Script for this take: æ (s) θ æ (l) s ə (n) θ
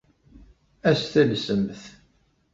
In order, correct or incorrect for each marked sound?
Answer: correct, correct, incorrect

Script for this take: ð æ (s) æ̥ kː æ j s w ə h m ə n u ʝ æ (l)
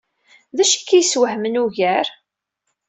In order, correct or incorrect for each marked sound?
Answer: incorrect, incorrect

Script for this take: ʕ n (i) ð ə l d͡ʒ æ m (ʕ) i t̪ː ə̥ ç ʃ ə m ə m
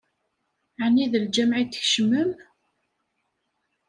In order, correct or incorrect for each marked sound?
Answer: correct, correct

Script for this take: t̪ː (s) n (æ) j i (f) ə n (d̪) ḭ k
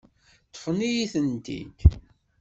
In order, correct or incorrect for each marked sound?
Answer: incorrect, incorrect, incorrect, incorrect

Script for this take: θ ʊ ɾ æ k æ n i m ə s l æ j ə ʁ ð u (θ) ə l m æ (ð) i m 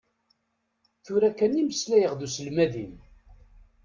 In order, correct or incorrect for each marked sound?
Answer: incorrect, correct

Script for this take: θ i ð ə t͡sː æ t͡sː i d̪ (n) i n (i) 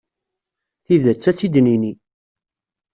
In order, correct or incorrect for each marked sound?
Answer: correct, correct

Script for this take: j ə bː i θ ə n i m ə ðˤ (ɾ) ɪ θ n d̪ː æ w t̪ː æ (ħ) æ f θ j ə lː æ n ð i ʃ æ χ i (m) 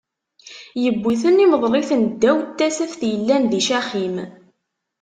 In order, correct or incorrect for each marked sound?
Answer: incorrect, incorrect, correct

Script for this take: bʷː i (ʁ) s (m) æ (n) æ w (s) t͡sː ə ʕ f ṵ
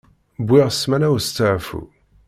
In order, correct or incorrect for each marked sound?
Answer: correct, correct, correct, correct

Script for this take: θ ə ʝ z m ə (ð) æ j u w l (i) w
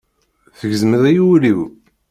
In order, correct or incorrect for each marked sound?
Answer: correct, correct

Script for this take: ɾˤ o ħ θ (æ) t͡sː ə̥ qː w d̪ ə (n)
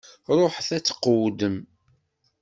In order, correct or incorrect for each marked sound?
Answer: correct, incorrect

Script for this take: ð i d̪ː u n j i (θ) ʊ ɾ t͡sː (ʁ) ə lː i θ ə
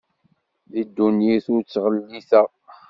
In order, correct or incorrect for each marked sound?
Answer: correct, correct

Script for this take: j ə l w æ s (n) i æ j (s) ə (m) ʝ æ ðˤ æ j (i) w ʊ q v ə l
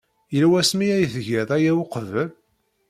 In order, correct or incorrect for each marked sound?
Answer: incorrect, incorrect, incorrect, incorrect

